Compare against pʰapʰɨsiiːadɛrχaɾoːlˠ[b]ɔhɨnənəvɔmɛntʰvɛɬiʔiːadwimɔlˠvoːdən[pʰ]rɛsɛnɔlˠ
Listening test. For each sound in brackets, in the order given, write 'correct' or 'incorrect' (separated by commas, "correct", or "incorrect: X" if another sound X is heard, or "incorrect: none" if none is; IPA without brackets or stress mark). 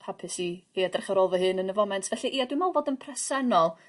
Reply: incorrect: v, correct